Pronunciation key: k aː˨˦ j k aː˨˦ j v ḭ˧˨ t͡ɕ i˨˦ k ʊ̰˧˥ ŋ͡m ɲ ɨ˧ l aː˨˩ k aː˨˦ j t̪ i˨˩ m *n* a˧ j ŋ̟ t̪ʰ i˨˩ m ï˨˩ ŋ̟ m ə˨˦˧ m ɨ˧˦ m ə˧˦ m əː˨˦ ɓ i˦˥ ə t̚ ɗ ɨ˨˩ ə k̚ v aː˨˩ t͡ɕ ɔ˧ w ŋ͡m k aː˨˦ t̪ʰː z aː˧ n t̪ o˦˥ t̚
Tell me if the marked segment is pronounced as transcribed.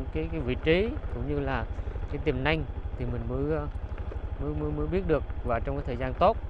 yes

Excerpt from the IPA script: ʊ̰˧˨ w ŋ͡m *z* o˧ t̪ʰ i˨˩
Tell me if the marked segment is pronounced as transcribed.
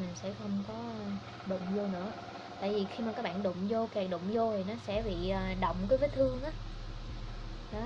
yes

